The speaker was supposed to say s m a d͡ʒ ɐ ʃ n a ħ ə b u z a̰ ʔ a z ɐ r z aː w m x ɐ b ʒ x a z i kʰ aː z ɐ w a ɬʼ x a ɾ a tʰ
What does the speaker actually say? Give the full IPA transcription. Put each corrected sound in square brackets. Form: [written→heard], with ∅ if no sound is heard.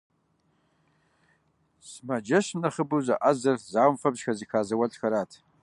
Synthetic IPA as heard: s m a d͡ʒ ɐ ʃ n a [ħ→χ] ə b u z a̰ ʔ a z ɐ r z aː w m [x→f] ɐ b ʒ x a z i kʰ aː z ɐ w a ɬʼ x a ɾ a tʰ